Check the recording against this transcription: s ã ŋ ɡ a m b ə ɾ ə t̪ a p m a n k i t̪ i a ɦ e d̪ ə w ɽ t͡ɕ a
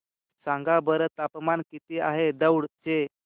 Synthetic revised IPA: s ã ŋ ɡ a b ə ɾ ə t̪ a p m a n k i t̪ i a ɦ e d̪ ə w ɽ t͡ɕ e